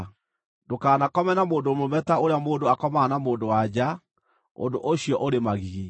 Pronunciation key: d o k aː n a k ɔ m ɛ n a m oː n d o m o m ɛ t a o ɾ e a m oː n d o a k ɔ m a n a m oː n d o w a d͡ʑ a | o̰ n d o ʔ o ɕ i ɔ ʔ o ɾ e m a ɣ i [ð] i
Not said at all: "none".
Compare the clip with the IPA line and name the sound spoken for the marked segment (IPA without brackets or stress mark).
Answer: ɣ